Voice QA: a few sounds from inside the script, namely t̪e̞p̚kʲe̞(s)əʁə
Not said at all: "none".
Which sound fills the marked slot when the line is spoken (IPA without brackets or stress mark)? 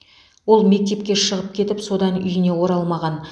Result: ʃ